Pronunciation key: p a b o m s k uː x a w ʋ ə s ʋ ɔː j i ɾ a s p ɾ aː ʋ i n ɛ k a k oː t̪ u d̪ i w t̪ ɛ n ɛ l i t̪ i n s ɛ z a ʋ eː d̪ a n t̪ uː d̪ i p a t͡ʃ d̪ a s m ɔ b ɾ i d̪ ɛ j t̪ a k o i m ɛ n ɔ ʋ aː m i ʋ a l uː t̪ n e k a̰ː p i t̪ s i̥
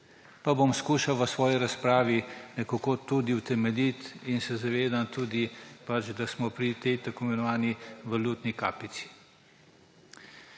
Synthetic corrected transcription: p a b o m s k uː ʃ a w ʋ ə s ʋ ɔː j i ɾ a s p ɾ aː ʋ i n ɛ k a k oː t̪ u d̪ i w t̪ ɛ m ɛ l i t̪ i n s ɛ z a ʋ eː d̪ a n t̪ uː d̪ i p a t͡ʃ d̪ a s m ɔ p ɾ i t̪ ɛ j t̪ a k o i m ɛ n ɔ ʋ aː n i ʋ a l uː t̪ n i k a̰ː p i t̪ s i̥

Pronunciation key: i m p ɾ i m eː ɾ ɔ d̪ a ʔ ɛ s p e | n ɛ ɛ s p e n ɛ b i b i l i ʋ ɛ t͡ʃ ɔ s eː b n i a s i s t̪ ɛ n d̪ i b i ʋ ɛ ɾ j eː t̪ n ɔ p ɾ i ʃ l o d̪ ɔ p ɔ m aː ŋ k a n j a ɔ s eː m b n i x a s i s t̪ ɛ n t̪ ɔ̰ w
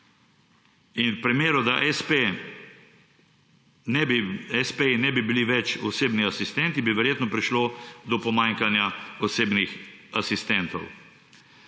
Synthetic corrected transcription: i n p ɾ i m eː ɾ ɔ d̪ a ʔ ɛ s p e | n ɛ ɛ s p e n ɛ b i b i l i ʋ ɛ t͡ʃ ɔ s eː b n i a s i s t̪ ɛ n t̪ i b i ʋ ɛ ɾ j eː t̪ n ɔ p ɾ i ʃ l o d̪ ɔ p ɔ m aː ŋ k a n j a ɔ s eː b n i x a s i s t̪ ɛ n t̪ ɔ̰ w

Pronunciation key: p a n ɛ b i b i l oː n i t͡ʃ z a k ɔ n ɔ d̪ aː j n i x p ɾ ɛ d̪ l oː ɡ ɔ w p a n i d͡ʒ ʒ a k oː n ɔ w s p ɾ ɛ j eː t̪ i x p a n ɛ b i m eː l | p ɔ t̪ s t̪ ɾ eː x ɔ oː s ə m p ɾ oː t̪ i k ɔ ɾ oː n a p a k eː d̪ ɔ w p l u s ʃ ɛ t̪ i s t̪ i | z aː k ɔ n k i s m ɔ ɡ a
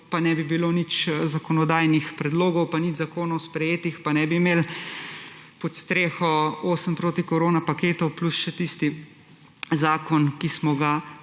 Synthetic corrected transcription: p a n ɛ b i b i l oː n i t͡ʃ z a k ɔ n ɔ d̪ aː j n i x p ɾ ɛ d̪ l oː ɡ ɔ w p a n i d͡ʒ z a k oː n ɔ w s p ɾ ɛ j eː t̪ i x p a n ɛ b i m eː l | p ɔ t̪ s t̪ ɾ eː x ɔ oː s ə m p ɾ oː t̪ i k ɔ ɾ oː n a p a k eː t̪ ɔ w p l u s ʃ ɛ t̪ i s t̪ i | z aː k ɔ n k i s m ɔ ɡ a

